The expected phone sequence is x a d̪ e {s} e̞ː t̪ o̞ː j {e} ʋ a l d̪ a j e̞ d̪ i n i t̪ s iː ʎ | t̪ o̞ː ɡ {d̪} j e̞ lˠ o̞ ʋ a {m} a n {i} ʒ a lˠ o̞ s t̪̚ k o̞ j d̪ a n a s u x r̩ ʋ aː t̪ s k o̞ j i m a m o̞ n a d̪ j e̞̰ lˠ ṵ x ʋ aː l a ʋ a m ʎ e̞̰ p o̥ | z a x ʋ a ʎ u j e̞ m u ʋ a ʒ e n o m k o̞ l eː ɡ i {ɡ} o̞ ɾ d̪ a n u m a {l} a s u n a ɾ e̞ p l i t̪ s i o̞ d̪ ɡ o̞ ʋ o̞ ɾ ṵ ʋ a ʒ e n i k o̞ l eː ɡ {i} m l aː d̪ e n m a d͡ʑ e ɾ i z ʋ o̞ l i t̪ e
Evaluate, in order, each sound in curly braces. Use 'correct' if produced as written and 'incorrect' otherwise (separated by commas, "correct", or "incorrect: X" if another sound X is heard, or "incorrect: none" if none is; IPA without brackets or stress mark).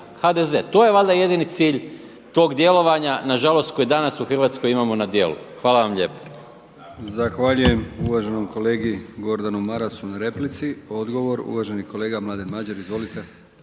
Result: incorrect: z, correct, correct, incorrect: ɲ, incorrect: a, correct, incorrect: ɾ, incorrect: a